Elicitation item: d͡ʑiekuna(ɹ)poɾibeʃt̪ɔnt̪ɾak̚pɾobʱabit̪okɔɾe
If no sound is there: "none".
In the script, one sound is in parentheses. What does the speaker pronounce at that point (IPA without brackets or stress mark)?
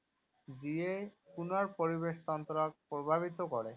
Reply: ɾ